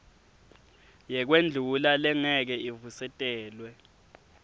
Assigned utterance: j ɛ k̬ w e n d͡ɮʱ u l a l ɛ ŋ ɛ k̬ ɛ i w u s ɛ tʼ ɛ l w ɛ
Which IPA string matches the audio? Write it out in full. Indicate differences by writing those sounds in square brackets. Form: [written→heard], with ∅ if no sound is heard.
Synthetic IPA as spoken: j ɛ k̬ w e n d͡ɮʱ u l a l ɛ ŋ ɛ k̬ ɛ i [w→v] u s ɛ tʼ [ɛ→ɛː] l w ɛ